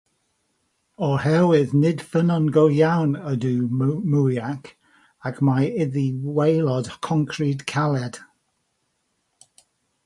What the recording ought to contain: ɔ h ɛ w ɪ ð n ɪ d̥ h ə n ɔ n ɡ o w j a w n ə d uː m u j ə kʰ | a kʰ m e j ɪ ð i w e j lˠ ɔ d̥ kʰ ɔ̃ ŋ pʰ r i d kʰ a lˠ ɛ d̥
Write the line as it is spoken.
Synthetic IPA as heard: ɔ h ɛ w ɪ ð n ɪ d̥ f ə n ɔ n ɡ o w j a w n ə d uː m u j a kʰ | a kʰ m a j ɪ ð i w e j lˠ ɔ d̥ kʰ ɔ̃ ŋ kʰ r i d kʰ a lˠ ɛ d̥